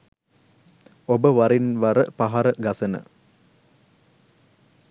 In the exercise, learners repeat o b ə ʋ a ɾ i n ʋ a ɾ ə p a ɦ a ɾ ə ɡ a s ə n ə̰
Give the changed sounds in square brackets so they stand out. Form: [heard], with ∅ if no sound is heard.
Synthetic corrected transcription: o b ə ʋ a ɾ i n ʋ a ɾ ə p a ɦ a ɾ ə ɡ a s ə n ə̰